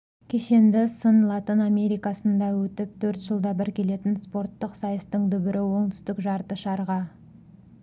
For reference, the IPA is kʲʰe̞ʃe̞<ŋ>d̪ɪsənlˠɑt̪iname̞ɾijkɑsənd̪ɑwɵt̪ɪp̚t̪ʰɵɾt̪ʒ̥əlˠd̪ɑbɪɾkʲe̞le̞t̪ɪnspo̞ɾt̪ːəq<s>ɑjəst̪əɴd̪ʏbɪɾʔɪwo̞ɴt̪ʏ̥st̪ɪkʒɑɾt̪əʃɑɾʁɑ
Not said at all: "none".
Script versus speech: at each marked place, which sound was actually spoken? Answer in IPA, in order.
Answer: n, s

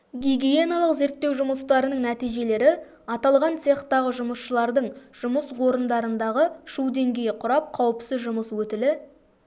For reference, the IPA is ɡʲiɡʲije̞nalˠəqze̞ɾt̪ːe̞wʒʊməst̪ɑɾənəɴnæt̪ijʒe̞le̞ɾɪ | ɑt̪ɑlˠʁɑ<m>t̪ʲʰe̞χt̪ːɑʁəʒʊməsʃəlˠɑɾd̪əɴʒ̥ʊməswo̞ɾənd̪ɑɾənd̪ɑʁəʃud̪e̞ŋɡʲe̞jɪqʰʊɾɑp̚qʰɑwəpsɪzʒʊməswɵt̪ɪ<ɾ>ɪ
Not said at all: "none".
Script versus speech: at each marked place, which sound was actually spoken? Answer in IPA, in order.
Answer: n, l

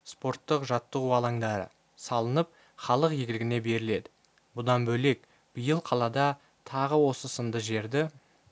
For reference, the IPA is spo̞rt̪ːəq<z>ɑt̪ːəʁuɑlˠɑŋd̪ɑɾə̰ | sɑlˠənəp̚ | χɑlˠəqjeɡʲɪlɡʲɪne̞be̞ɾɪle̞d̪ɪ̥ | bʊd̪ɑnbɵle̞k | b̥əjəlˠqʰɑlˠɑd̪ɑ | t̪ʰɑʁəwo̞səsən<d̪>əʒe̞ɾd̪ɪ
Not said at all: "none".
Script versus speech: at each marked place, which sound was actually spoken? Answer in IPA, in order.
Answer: ʒ, d̪

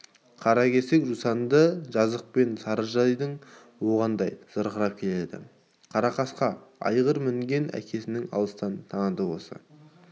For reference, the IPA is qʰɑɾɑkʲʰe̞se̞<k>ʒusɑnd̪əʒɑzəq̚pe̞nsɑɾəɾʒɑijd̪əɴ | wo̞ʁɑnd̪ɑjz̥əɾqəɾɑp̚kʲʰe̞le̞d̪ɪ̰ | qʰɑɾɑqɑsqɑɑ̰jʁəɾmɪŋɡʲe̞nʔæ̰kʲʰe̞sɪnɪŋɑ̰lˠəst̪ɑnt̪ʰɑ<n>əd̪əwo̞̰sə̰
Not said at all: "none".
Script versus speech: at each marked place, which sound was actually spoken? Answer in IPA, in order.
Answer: k, ɴ

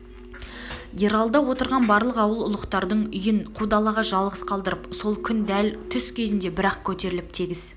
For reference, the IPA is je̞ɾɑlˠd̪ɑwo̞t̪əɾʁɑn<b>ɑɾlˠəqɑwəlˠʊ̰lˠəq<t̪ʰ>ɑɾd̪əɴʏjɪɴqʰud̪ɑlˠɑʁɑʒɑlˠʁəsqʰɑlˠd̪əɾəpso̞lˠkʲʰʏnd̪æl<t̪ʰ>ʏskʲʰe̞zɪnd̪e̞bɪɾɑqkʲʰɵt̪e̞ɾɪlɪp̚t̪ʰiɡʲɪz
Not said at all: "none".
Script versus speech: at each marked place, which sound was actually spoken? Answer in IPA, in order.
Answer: b, t̪, t̪ʰ

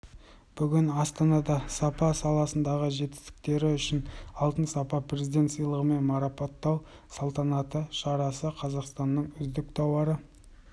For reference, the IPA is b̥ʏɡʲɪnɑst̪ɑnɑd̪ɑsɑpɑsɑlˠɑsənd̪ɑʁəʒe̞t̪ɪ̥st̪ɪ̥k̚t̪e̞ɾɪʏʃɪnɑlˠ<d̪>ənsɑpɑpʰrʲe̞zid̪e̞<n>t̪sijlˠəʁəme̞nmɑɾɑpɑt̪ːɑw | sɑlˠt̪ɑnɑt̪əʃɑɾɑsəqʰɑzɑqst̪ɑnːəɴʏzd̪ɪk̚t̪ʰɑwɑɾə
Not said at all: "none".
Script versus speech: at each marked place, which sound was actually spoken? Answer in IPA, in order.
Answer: t̪, n

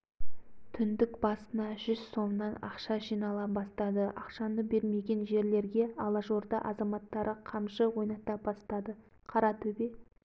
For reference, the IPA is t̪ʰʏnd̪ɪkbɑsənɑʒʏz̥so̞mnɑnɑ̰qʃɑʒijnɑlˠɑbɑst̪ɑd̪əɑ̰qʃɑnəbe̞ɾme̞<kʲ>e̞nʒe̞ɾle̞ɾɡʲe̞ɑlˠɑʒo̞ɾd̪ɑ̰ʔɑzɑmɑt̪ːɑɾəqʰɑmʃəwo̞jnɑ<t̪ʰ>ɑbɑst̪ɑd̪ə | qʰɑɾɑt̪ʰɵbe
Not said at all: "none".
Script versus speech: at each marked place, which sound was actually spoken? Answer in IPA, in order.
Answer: ɡʲ, t̪

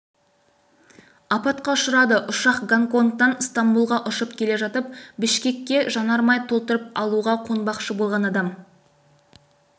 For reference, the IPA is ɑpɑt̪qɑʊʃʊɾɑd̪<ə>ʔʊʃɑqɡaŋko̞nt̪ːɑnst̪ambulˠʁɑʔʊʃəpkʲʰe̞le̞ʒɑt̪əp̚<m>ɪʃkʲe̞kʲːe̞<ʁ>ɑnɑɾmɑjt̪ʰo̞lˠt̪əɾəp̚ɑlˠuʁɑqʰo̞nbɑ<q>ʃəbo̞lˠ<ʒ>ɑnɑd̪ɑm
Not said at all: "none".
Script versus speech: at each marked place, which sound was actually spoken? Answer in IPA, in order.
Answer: ə, b, ʒ, q, ʁ

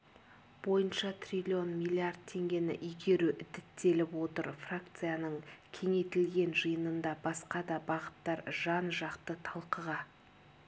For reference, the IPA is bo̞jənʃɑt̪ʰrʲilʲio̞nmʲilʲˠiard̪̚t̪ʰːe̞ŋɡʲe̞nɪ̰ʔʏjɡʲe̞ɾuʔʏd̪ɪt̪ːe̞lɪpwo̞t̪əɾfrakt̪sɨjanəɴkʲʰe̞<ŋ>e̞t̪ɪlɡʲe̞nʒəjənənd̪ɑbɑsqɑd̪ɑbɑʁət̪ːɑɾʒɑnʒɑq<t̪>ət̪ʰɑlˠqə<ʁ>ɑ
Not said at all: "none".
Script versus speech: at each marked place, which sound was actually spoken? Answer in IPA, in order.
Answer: ŋ, t̪, ʁ

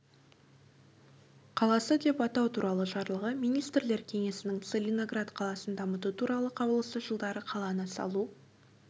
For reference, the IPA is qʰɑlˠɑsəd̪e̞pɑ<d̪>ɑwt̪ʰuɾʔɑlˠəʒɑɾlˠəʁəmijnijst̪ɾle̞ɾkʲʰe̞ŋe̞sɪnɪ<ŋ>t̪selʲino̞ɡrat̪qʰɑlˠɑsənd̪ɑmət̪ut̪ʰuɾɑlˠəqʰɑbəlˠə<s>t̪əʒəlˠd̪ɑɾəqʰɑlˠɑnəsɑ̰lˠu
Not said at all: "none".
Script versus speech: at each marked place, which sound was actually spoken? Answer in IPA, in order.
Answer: t̪, ŋ, s

